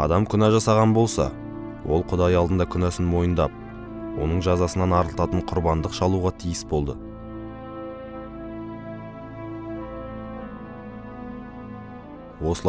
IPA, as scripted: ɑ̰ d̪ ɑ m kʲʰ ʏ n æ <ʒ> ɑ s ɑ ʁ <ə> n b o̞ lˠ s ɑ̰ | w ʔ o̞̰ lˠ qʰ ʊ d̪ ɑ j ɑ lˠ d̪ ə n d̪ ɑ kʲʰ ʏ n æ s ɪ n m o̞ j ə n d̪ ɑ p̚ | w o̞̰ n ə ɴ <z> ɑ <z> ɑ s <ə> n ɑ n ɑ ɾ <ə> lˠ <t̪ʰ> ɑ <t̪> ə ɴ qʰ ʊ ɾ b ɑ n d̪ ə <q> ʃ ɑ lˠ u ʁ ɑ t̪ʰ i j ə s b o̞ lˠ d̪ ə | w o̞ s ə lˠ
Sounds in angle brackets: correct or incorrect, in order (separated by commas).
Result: correct, incorrect, incorrect, correct, correct, correct, incorrect, correct, correct